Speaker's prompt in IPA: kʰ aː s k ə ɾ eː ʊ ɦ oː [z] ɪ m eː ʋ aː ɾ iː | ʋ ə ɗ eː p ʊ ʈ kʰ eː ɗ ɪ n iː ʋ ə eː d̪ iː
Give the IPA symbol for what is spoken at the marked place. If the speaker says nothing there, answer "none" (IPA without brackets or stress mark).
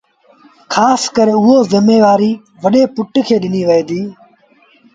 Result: z